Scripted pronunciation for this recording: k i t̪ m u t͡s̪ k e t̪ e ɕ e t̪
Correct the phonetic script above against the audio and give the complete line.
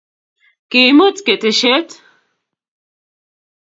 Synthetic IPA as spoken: k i m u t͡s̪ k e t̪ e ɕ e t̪